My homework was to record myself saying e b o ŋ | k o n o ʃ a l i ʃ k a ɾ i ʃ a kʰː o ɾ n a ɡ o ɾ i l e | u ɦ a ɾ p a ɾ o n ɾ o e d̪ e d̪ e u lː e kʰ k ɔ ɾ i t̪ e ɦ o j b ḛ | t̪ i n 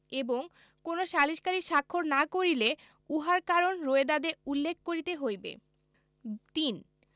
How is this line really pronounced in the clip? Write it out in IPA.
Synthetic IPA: e b o ŋ | k o n o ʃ a l i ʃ k a ɾ i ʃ a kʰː o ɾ n a k o ɾ i l e | u ɦ a ɾ k a ɾ o n ɾ o e d̪ a d̪ e u lː e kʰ k o ɾ i t̪ e ɦ o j b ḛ | t̪ i n

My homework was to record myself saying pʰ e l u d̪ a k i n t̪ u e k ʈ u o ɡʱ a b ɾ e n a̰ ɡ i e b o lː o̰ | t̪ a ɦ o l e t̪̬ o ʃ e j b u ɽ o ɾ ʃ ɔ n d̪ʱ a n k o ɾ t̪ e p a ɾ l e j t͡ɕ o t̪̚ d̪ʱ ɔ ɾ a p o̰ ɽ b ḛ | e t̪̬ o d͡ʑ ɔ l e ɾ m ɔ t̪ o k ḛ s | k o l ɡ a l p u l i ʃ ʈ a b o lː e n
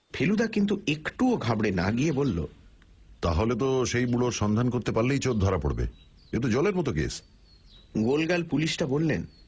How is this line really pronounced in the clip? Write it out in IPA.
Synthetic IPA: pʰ e l u d̪ a k i n t̪ u e k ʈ u o ɡʱ a b ɽ e n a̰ ɡ i e b o lː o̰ | t̪ a ɦ o l e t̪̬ o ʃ e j b u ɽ o ɾ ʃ ɔ n d̪ʱ a n k o ɾ t̪ e p a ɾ l e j t͡ɕ o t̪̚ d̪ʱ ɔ ɾ a p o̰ ɽ b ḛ | e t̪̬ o d͡ʑ ɔ l e ɾ m ɔ t̪ o k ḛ s | ɡ o l ɡ a l p u l i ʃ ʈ a b o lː e n

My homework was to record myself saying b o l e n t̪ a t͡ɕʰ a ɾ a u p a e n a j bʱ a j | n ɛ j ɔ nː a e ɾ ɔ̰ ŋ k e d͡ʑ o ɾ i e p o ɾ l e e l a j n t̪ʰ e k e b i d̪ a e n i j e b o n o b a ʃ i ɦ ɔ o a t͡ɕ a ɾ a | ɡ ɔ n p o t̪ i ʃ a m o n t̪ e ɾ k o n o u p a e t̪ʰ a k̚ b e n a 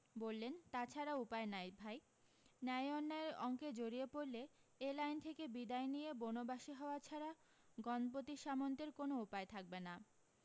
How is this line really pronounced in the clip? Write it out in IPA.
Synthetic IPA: b o lː e n t̪ a t͡ɕʰ a ɾ a u p a e n a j bʱ a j | n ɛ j ɔ nː a e ɾ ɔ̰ ŋ k e d͡ʑ o ɾ i e p o ɾ l e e l a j n t̪ʰ e k e b i d̪ a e n i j e b o n o b a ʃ i ɦ ɔ o a t͡ɕʰ a ɾ a | ɡ ɔ n p o t̪ i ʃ a m o n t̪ e ɾ k o n o u p a e t̪ʰ a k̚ b e n a

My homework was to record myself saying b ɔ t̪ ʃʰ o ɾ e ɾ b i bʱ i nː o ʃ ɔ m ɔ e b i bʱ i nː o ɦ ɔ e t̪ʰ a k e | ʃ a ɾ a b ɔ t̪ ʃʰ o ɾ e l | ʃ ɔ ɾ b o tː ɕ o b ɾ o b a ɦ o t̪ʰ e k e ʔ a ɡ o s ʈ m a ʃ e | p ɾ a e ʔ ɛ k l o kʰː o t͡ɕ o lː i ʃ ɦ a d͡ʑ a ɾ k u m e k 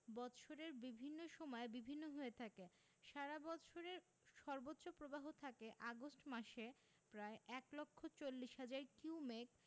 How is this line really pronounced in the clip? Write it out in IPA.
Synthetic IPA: b ɔ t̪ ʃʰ o ɾ e ɾ b i bʱ i nː o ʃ ɔ m ɔ e b i bʱ i nː o ɦ o e t̪ʰ a k e | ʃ a ɾ a b ɔ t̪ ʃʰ o ɾ e ɾ | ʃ ɔ ɾ b o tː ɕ o p ɾ o b a ɦ o t̪ʰ a k e ʔ a ɡ o s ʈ m a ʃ e | p ɾ a e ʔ ɛ k l o kʰː o t͡ɕ o lː i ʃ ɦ a d͡ʑ a ɾ k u m e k

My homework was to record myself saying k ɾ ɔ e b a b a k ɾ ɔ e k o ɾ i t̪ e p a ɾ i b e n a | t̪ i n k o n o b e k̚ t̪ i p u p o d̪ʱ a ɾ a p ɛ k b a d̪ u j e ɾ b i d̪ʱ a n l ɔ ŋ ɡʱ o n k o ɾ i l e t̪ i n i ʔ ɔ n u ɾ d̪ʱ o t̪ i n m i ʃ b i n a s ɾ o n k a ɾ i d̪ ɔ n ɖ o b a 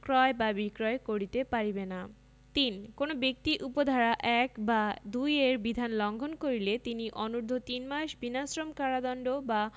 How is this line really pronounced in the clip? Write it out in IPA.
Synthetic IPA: k ɾ ɔ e b a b i k ɾ ɔ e k o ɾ i t̪ e p a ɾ i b e n a | t̪ i n k o n o b e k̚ t̪ i ʔ u p o d̪ʱ a ɾ a ʔ ɛ k b a d̪ u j e ɾ b i d̪ʱ a n l ɔ ŋ ɡʱ o n k o ɾ i l e t̪ i n i ʔ ɔ n u ɾ d̪ʱ o t̪ i n m a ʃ b i n a s ɾ o m k a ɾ a d̪ ɔ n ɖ o b a

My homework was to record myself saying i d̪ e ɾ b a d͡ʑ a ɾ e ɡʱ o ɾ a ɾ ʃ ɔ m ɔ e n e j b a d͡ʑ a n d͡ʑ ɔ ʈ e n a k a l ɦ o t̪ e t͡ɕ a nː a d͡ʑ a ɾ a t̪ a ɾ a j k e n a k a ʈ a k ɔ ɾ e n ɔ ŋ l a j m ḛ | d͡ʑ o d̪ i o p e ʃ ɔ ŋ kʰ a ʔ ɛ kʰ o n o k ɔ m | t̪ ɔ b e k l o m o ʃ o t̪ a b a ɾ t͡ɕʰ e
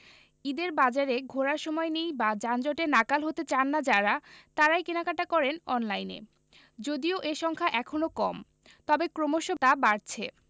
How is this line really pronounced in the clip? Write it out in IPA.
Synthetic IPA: i d̪ e ɾ b a d͡ʑ a ɾ e ɡʱ o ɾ a ɾ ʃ ɔ m ɔ e n e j b a d͡ʑ a n d͡ʑ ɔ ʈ e n a k a l ɦ o t̪ e t͡ɕ a nː a d͡ʑ a ɾ a t̪ a ɾ a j k e n a k a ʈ a k ɔ ɾ e n ɔ n l a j n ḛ | d͡ʑ o d̪ i o ʔ e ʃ ɔ ŋ kʰ a ʔ ɛ kʰ o n o k ɔ m | t̪ ɔ b e k ɾ o m o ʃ o t̪ a b a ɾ t͡ɕʰ e

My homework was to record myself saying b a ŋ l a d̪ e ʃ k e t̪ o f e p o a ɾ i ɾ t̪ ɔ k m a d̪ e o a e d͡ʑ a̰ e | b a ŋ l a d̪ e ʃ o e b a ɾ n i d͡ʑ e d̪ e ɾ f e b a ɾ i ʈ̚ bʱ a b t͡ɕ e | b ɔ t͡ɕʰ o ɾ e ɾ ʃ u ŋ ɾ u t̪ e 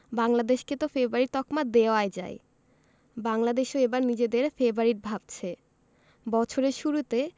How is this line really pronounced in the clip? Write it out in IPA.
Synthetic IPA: b a ŋ l a d̪ e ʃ k e t̪ o f e b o a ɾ i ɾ t̪ ɔ k m a d̪ e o a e d͡ʑ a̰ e | b a ŋ l a d̪ e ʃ o e b a ɾ n i d͡ʑ e d̪ e ɾ f e b a ɾ i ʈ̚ bʱ a b t͡ɕʰ e | b ɔ t͡ɕʰ o ɾ e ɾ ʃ u ɾ u t̪ e

